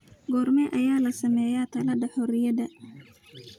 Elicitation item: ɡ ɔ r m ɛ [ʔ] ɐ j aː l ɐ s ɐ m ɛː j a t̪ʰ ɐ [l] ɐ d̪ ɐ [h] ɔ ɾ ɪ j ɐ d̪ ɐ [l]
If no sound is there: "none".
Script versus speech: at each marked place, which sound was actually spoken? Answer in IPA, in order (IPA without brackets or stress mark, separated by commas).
ʔ, l, ħ, none